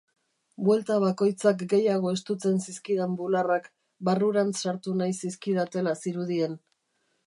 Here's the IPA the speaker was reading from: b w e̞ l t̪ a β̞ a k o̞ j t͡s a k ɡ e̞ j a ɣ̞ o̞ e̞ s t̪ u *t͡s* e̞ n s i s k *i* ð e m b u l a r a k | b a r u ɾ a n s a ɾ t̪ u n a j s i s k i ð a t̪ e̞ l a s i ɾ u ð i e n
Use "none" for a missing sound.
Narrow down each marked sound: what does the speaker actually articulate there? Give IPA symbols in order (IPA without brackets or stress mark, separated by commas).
t͡s, i